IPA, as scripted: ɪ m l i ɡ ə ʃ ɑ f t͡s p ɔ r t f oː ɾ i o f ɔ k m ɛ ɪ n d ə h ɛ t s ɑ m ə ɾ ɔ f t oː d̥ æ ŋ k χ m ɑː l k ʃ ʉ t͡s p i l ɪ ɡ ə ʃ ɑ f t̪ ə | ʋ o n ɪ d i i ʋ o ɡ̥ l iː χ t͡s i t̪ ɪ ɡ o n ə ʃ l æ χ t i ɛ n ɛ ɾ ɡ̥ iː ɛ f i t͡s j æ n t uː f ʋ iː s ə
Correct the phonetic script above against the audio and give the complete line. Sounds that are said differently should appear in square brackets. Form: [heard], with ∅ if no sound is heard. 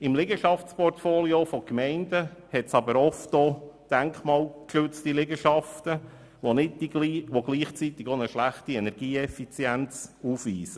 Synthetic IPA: ɪ m l [ɪ] ɡ ə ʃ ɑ f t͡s p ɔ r t f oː [l] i o f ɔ k m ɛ ɪ n d ə h ɛ t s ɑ [b] ə ɾ ɔ f t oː d̥ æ ŋ k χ m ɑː l k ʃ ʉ t͡s [t] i l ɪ ɡ ə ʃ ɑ f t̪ ə | ʋ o n ɪ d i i ʋ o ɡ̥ l iː χ t͡s i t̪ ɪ ɡ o n ə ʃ l æ χ t i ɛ n ɛ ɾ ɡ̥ iː ɛ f i t͡s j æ n [t͡s] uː f ʋ iː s ə